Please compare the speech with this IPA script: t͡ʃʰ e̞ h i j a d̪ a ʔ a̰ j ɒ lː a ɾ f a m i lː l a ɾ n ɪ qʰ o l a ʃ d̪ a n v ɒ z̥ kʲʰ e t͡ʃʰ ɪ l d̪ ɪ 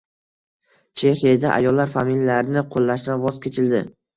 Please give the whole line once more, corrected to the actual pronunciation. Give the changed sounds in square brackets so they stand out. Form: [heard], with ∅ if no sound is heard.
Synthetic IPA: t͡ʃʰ e̞ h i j a d̪ a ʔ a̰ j ɒ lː a ɾ f a m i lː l a ɾ n ɪ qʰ o [lː] a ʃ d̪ a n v ɒ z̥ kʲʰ e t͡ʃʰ ɪ l d̪ ɪ